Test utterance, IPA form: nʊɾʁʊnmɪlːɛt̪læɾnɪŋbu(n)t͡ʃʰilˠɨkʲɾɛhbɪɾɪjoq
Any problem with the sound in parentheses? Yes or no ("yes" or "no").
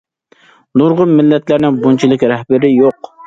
no